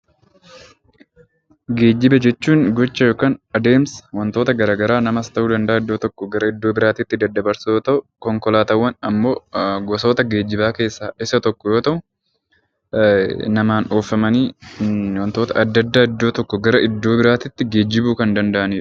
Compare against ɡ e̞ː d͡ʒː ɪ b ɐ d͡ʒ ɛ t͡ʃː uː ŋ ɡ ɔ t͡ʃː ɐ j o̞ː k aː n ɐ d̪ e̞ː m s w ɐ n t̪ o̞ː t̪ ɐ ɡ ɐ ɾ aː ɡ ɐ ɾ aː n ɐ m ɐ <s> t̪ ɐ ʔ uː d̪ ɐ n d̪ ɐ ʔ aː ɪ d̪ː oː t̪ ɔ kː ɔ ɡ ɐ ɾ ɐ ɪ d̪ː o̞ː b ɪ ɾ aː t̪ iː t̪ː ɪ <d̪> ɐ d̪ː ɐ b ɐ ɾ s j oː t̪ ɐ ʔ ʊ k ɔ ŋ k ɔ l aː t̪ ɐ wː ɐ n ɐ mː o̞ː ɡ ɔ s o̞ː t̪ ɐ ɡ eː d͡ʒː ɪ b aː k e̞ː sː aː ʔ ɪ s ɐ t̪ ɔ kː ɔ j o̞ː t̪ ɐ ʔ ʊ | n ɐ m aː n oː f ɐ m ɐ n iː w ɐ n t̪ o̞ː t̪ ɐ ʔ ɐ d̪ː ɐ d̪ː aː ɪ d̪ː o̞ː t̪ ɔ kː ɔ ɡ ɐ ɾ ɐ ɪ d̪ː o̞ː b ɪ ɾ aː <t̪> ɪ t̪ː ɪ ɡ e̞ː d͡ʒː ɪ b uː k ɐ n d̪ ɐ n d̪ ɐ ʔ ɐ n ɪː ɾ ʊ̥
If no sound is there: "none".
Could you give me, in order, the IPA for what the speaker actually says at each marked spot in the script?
s, d̪, t̪

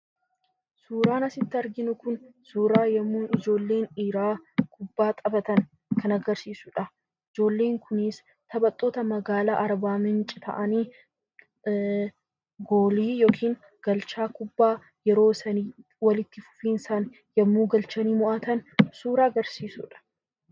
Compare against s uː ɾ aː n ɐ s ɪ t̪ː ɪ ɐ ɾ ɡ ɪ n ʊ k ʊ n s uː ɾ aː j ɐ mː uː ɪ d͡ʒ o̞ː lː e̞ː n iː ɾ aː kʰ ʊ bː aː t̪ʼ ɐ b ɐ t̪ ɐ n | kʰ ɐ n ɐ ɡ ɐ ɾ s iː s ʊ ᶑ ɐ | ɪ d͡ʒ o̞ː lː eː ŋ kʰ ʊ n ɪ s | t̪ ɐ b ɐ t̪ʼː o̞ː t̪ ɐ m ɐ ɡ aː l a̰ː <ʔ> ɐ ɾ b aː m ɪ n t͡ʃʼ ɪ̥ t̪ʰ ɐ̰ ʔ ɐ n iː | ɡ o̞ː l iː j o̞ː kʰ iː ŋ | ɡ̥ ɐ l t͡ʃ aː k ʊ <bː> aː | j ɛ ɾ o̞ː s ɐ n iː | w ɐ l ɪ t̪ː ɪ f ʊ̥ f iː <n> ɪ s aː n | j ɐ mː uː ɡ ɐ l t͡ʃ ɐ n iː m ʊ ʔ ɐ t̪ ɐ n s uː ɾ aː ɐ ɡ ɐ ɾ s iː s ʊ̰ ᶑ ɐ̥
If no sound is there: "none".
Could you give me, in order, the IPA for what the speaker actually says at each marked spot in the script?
ʔ, bː, n

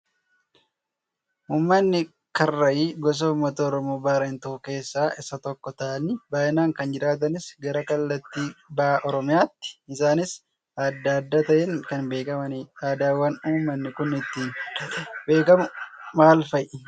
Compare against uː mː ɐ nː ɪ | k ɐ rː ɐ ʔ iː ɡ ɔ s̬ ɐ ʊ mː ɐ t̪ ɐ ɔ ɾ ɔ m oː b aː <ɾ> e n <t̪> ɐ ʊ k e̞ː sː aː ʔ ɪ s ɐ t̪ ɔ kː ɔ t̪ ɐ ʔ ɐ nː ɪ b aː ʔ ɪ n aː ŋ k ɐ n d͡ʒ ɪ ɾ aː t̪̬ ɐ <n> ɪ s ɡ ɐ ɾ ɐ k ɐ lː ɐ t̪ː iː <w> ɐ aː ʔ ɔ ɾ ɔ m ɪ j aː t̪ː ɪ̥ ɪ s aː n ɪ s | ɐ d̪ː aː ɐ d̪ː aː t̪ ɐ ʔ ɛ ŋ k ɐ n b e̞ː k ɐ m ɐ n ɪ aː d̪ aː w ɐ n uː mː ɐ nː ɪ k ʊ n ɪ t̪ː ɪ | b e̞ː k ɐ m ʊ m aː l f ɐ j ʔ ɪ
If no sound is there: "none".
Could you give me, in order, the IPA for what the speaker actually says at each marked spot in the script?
ɾ, t̪, n, b

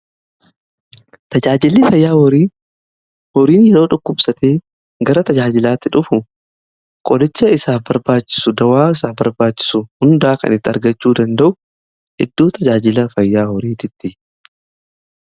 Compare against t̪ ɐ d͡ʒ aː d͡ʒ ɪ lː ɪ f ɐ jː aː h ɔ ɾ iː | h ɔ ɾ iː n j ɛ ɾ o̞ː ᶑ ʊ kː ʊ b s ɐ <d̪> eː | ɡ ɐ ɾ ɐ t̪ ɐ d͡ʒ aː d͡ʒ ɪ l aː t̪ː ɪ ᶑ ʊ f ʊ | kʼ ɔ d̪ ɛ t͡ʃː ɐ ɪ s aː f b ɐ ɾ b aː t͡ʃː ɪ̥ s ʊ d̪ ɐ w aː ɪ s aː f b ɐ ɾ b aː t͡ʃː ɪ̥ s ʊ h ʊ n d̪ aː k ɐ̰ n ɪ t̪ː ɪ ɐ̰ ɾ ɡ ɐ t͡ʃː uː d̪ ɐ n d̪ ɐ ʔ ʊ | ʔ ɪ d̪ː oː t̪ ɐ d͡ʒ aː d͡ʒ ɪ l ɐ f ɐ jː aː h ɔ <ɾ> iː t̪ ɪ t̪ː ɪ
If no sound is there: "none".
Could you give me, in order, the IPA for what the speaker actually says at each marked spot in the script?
t̪, ɾ

